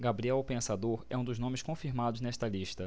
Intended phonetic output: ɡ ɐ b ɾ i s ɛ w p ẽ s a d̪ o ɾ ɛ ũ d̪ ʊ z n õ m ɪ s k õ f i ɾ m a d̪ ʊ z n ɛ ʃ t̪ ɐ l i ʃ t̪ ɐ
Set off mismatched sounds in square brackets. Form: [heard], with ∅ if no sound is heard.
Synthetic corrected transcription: ɡ [a] b ɾ i [∅] ɛ w p ẽ s a d̪ o ɾ ɛ ũ d̪ ʊ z n õ m ɪ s k õ f i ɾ m a d̪ ʊ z n ɛ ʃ t̪ ɐ l i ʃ t̪ ɐ

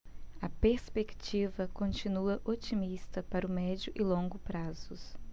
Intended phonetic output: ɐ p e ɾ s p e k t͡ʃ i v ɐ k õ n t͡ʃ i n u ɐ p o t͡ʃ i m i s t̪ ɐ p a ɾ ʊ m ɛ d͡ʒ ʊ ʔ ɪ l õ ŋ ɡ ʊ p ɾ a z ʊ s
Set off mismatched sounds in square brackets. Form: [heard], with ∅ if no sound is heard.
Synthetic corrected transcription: ɐ p e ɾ s p e k t͡ʃ i v ɐ k õ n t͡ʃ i n u ɐ [ʔ] o t͡ʃ i m i s t̪ ɐ p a ɾ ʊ m ɛ d͡ʒ ʊ ʔ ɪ l õ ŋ ɡ ʊ p ɾ a z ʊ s

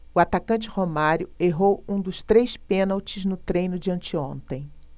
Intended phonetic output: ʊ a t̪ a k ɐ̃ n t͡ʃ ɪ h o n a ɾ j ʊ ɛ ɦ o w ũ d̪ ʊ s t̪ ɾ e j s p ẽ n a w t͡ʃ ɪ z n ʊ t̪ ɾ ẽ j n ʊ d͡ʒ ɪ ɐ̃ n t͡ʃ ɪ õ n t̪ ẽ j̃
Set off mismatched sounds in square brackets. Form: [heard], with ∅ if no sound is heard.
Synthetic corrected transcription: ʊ a t̪ a k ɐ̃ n t͡ʃ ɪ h o [m] a ɾ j ʊ [e] ɦ o w ũ d̪ ʊ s t̪ ɾ e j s p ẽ n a w t͡ʃ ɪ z n ʊ t̪ ɾ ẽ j n ʊ d͡ʒ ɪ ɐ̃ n t͡ʃ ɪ õ n t̪ ẽ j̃

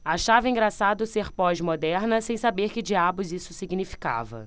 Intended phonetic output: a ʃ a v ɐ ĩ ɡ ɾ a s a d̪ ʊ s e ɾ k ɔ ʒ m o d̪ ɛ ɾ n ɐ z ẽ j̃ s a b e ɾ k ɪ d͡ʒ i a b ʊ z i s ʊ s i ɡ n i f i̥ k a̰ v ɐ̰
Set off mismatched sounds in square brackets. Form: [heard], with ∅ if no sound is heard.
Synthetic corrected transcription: a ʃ a v ɐ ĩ ɡ ɾ a s a d̪ ʊ s e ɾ [p] ɔ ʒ m o d̪ ɛ ɾ n ɐ [s] ẽ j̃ s a b e ɾ k ɪ d͡ʒ i a b ʊ z i s ʊ s i ɡ n i f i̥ k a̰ v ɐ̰

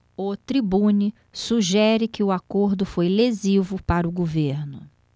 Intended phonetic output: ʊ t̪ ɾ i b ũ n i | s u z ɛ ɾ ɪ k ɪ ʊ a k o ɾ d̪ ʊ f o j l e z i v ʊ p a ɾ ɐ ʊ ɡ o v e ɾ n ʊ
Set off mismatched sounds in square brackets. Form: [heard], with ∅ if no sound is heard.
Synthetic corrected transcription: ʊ t̪ ɾ i b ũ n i | s u [ʒ] ɛ ɾ ɪ k ɪ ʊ a k o ɾ d̪ ʊ f o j l e z i v ʊ p a ɾ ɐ ʊ ɡ o v e ɾ n ʊ

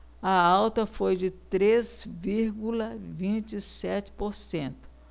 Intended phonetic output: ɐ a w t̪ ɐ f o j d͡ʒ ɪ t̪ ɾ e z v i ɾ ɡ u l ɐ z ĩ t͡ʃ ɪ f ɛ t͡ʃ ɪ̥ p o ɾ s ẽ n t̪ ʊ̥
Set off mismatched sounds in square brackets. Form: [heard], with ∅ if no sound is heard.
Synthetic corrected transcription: ɐ a w t̪ ɐ f o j d͡ʒ ɪ t̪ ɾ e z v i ɾ ɡ u l ɐ [v] ĩ t͡ʃ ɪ [s] ɛ t͡ʃ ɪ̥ p o ɾ s ẽ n t̪ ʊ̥

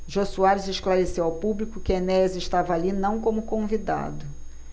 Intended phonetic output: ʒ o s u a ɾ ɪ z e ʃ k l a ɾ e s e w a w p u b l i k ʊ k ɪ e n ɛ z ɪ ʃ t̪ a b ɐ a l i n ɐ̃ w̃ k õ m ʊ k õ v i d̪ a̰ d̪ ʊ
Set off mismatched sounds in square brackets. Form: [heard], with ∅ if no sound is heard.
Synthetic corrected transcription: ʒ o s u a ɾ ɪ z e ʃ k l a ɾ e s e w a w p u b l i k ʊ k ɪ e n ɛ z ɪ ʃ t̪ a [v] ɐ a l i n ɐ̃ w̃ k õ m ʊ k õ v i d̪ a̰ d̪ ʊ

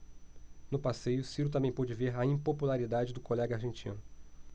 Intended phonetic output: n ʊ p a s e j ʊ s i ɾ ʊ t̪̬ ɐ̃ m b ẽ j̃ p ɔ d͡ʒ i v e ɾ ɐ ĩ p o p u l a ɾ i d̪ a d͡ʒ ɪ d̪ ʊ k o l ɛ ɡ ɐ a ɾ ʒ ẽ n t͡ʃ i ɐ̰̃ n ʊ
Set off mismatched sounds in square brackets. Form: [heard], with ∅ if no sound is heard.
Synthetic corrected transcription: n ʊ p a s e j ʊ s i ɾ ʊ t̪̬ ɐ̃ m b ẽ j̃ p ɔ d͡ʒ [ɪ] v e ɾ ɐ ĩ p o p u l a ɾ i d̪ a d͡ʒ ɪ d̪ ʊ k o l ɛ ɡ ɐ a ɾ ʒ ẽ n t͡ʃ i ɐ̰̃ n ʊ

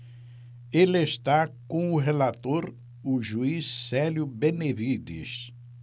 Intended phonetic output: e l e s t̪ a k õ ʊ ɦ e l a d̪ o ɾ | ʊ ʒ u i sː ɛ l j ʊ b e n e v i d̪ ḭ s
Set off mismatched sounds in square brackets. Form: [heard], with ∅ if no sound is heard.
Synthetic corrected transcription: e l e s t̪ a k õ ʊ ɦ e l a [t̪] o ɾ | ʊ ʒ u i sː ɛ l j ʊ b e n e v i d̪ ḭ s

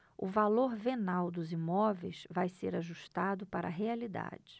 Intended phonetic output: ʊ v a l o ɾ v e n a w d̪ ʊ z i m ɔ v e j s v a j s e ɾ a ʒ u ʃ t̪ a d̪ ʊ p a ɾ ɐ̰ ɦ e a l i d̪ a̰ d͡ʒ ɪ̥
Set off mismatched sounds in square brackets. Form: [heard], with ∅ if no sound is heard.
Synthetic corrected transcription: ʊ v a l o ɾ v e n a w d̪ ʊ z i m ɔ v e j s v a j s e ɾ a ʒ u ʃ t̪ a d̪ ʊ p a ɾ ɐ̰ ɦ e a l i d̪ a̰ d͡ʒ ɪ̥

